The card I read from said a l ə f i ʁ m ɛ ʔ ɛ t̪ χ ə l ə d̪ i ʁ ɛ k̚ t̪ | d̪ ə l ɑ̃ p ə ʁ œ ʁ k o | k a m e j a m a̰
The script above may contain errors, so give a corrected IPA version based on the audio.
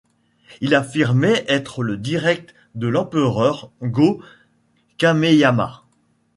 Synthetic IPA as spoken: i l a f i ʁ m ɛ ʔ ɛ t̪ χ ə l ə d̪ i ʁ ɛ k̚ t̪ | d̪ ə l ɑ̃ p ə ʁ œ ʁ ɡ o | k a m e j a m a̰